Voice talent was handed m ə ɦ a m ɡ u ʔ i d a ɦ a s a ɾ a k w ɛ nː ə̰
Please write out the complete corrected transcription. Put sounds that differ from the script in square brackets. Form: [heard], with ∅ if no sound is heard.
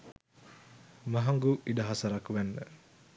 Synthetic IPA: m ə ɦ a [ŋ] ɡ u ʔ i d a ɦ a s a ɾ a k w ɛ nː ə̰

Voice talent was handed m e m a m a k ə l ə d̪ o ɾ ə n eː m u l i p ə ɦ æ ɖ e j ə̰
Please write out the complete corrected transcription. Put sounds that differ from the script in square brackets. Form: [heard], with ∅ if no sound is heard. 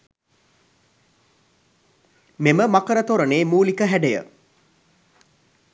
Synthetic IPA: m e m [ə] m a k ə [ɾ] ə [t̪] o ɾ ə n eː m [uː] l i [k] ə ɦ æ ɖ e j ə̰

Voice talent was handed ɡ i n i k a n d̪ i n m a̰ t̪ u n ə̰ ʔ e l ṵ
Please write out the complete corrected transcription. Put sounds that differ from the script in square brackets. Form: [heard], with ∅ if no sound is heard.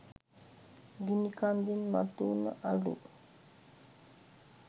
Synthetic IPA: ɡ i n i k a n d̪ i n m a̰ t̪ u n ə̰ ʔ [a] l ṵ

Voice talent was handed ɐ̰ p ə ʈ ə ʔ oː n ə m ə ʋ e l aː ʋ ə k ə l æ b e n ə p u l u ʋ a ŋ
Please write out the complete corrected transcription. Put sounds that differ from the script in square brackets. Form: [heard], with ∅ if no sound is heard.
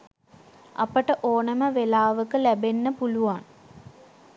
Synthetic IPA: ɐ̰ p ə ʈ ə ʔ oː n ə m ə ʋ e l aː ʋ ə k ə l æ b e [nː] ə p u l u ʋ a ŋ

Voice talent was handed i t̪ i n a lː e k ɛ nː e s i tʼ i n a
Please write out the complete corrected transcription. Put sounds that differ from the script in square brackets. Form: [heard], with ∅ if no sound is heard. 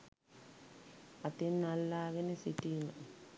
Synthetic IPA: [a] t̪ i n a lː [a] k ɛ [n] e s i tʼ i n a

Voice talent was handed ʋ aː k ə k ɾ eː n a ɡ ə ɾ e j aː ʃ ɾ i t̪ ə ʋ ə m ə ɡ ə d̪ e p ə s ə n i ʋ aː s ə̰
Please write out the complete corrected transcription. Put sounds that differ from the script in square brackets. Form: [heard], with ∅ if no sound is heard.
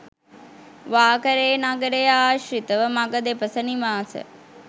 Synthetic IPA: ʋ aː k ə [∅] ɾ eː n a ɡ ə ɾ e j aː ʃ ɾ i t̪ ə ʋ ə m [a] ɡ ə d̪ e p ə s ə n i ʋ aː s ə̰

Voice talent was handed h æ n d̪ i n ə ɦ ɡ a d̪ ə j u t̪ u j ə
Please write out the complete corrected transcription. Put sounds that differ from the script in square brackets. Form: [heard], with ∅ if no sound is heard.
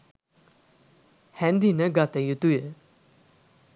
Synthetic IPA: h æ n d̪ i n ə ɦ ɡ a [t̪] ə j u t̪ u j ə

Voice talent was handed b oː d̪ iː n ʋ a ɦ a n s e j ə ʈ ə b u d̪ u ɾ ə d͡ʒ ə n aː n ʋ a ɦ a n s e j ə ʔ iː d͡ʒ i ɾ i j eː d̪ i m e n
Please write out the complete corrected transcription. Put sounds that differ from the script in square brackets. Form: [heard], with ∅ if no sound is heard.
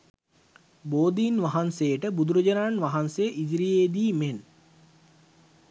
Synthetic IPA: b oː d̪ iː n ʋ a ɦ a n s e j ə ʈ ə b u d̪ u ɾ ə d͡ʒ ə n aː n ʋ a ɦ a n s e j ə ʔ [i] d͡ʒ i ɾ i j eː d̪ [iː] m e n

